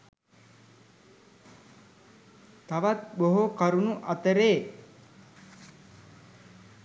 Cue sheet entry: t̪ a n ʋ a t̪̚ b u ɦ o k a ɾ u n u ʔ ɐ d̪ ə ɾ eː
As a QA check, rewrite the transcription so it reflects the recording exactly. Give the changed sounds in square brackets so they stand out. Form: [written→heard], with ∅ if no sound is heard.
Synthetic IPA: t̪ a [n→∅] ʋ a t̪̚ b [u→o] ɦ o k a ɾ u n u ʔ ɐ [d̪→t̪] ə ɾ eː